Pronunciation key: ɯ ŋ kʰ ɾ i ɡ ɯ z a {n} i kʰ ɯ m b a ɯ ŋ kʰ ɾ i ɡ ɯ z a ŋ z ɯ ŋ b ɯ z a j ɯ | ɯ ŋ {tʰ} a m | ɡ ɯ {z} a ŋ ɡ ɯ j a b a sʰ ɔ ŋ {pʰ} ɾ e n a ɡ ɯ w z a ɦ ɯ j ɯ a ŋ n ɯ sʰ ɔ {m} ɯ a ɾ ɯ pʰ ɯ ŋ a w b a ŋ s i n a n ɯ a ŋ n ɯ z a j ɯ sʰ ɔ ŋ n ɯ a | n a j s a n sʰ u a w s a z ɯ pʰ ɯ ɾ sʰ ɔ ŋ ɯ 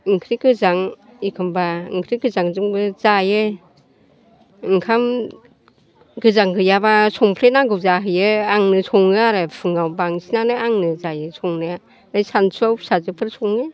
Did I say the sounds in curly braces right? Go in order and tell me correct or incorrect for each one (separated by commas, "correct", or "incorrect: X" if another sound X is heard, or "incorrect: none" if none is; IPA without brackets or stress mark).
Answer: incorrect: ŋ, incorrect: kʰ, correct, correct, incorrect: ŋ